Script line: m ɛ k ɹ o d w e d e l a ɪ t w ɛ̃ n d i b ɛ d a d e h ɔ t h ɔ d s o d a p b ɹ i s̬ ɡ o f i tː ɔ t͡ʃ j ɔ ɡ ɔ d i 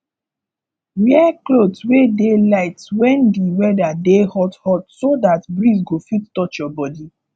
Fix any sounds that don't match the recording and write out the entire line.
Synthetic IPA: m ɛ k l o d w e d e l a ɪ t w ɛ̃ n d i w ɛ d a d e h ɔ t h ɔ t s o d a t b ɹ i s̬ ɡ o f i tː ɔ t͡ʃ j ɔ b ɔ d i